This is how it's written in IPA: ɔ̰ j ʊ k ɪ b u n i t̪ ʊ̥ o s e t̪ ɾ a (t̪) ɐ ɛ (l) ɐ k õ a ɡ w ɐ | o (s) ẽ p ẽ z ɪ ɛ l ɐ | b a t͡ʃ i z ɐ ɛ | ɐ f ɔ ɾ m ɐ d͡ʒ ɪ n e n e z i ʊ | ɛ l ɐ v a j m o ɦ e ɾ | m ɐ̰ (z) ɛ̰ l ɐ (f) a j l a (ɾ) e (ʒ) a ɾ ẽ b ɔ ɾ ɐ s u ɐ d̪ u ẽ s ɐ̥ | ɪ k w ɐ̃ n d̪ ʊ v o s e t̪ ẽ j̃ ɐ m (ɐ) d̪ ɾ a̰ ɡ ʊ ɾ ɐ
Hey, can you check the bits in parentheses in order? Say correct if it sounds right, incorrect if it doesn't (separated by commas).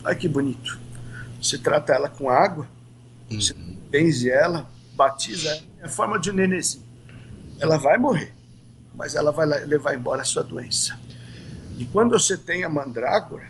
correct, correct, correct, correct, incorrect, incorrect, incorrect, incorrect